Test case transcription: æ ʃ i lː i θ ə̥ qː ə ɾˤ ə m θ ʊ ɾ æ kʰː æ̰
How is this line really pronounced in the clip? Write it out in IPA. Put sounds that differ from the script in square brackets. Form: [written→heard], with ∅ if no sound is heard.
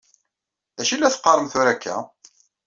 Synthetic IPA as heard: æ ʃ i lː [i→æ] θ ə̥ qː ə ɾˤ ə m θ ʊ ɾ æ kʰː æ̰

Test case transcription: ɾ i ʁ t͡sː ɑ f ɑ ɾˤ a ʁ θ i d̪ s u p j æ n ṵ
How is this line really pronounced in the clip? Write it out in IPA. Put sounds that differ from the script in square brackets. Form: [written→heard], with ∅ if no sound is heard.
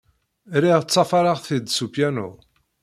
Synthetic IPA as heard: ɾ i ʁ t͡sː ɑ f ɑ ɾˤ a ʁ θ i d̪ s u p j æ n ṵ

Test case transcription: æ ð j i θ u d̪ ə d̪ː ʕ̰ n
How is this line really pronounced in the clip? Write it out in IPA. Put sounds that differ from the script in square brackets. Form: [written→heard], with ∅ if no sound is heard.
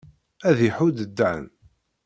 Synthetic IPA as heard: æ ð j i [θ→ħ] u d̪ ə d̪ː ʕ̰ n

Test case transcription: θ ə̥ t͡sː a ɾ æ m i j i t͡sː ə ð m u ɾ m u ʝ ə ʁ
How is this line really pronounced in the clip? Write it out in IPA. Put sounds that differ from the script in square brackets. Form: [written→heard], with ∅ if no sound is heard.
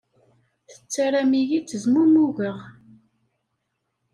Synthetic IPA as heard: θ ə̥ t͡sː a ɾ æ m i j i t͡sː ə [ð→z] m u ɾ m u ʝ ə ʁ

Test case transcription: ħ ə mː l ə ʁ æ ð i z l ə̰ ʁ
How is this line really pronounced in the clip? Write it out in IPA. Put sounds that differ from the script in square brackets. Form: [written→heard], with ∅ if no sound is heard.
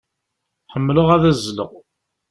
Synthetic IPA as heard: ħ ə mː l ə ʁ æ ð [i→æ] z l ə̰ ʁ

